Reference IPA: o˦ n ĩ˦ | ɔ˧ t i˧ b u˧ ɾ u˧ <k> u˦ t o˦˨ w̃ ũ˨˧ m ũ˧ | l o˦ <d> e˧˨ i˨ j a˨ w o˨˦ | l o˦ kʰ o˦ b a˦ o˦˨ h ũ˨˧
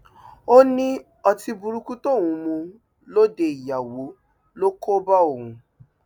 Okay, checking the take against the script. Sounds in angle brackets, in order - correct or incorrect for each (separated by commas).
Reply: correct, correct